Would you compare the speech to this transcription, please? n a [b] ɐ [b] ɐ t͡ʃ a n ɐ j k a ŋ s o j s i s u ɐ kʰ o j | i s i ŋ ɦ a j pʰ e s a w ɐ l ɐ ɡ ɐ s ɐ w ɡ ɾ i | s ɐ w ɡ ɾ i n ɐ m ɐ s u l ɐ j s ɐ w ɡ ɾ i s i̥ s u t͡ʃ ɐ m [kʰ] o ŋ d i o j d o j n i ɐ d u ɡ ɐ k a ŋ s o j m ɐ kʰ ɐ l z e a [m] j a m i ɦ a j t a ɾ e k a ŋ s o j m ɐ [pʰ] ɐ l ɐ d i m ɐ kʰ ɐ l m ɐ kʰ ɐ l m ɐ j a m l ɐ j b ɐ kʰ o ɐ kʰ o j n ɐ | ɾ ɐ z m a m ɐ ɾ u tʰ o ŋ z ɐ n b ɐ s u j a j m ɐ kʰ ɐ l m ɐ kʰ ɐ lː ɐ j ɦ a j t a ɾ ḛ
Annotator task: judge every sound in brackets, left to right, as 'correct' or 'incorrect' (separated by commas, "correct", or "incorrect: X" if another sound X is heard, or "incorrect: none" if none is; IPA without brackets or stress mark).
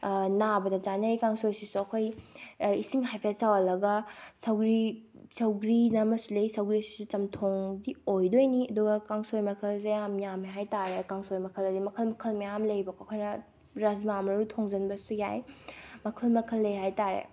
correct, incorrect: d, incorrect: tʰ, correct, incorrect: kʰ